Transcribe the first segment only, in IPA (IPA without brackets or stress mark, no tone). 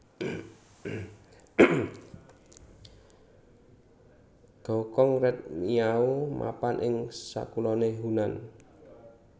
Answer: ɡ̥